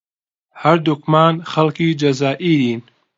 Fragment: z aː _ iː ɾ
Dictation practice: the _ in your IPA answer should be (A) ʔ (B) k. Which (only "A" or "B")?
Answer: A